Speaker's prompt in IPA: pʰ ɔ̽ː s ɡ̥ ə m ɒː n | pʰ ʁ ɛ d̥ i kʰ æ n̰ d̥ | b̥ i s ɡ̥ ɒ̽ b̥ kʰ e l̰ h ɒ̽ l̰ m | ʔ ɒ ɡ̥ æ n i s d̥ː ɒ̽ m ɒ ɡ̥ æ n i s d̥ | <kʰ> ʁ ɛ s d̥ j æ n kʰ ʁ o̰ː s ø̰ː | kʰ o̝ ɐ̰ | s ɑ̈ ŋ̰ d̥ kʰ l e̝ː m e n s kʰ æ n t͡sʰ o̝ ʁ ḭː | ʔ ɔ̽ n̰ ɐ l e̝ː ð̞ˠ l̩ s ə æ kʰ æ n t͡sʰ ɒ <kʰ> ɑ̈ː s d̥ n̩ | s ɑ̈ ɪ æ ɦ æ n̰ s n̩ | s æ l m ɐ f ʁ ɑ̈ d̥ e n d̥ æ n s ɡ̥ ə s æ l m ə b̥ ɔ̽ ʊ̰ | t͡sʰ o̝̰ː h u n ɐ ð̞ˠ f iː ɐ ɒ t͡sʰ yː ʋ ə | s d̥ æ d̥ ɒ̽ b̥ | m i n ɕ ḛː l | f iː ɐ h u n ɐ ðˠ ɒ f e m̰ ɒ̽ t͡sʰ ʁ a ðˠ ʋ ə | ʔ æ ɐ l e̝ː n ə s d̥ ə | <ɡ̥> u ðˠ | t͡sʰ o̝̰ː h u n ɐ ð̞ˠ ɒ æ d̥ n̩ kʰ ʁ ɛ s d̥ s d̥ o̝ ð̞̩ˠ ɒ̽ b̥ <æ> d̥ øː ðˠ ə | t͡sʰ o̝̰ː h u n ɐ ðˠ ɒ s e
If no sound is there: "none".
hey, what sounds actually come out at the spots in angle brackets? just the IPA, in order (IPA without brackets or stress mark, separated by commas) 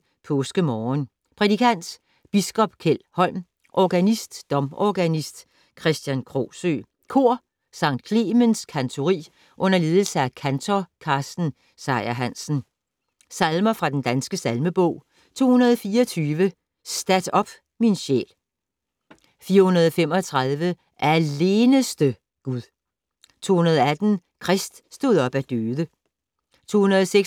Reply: kʰ, kʰ, ɡ̥, æ